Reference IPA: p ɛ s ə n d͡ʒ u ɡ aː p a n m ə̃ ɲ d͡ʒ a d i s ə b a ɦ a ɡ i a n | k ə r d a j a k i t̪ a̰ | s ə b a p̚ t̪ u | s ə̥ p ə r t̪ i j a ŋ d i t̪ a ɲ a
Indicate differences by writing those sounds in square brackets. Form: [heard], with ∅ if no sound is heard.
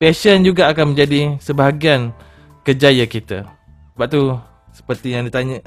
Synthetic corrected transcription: p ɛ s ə n d͡ʒ u ɡ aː [k] a n m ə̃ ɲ d͡ʒ a d i s ə b a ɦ a ɡ i a n | k ə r [d͡ʒ] a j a k i t̪ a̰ | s ə b a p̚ t̪ u | s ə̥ p ə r t̪ i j a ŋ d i t̪ a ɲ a